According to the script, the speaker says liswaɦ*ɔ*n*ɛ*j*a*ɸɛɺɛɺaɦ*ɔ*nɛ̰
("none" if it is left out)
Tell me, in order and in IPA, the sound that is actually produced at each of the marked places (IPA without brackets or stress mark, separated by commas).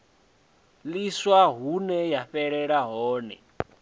u, ɛ, a, ɔː